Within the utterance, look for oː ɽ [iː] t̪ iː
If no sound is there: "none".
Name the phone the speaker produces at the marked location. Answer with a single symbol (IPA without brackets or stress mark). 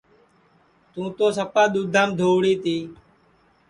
iː